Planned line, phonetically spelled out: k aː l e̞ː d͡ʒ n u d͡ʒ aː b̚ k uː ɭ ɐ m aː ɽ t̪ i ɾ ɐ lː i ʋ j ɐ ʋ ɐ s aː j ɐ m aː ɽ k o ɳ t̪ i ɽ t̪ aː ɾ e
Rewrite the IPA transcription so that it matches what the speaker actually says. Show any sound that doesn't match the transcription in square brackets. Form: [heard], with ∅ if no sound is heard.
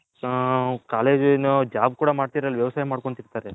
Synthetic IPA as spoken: k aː l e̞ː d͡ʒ n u d͡ʒ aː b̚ k uː [ɽ] ɐ m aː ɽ t̪ i ɾ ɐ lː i ʋ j ɐ ʋ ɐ s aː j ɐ m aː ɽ k o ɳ t̪ i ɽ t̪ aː ɾ e